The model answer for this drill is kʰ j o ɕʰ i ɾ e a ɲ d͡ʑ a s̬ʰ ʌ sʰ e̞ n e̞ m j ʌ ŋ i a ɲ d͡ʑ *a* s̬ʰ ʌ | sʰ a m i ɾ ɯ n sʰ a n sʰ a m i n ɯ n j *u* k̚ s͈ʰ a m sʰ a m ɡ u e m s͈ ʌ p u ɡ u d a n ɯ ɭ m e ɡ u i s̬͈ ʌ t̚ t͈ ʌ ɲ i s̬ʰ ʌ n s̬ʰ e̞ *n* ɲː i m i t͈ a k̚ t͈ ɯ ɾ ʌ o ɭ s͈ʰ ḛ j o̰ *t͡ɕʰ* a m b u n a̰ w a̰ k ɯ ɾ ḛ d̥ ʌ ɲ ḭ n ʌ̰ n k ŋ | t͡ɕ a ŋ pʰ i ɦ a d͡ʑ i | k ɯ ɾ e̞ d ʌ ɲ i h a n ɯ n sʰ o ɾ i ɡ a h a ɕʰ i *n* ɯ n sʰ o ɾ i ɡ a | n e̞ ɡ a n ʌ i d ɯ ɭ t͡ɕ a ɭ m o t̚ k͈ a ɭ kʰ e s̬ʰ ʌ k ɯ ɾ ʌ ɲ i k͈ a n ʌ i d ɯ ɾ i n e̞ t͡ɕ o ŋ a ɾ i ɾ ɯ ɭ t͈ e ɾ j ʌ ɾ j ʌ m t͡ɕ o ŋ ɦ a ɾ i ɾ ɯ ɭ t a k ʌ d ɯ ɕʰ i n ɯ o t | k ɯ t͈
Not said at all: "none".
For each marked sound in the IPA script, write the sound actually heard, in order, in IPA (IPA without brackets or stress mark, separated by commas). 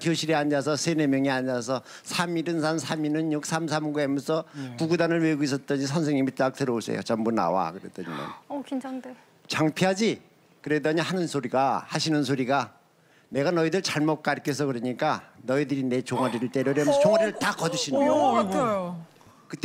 a, u, ŋ, t͡ɕ, n